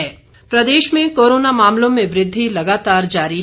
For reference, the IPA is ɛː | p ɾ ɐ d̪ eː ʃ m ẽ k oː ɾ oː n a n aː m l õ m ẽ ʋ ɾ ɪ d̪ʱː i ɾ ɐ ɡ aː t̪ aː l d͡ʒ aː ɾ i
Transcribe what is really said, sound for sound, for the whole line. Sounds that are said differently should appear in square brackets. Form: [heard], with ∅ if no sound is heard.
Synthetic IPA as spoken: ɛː | p ɾ ɐ d̪ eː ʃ m ẽ k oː ɾ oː n a [m] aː m l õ m ẽ ʋ ɾ ɪ d̪ʱː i [l] ɐ ɡ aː t̪ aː [ɾ] d͡ʒ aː ɾ i